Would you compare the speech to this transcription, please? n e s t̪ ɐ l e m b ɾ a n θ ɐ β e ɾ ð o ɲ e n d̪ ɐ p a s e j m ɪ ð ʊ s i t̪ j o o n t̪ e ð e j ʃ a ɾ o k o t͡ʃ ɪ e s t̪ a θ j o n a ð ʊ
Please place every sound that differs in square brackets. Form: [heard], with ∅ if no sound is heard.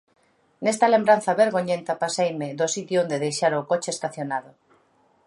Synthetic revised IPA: n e s t̪ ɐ l e m b ɾ a n θ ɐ β e ɾ [ɣ] o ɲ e n [t̪] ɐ p a s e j m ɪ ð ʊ s i t̪ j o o n [d̪] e ð e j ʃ a ɾ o k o t͡ʃ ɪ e s t̪ a θ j o n a ð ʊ